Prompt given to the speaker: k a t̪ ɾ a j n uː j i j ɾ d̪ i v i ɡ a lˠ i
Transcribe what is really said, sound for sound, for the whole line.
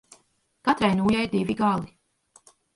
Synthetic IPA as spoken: k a t̪ ɾ a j n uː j a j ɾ d̪ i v i ɡ a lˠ i